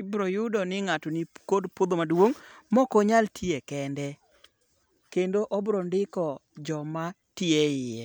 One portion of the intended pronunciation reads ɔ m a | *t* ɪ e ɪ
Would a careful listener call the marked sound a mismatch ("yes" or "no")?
no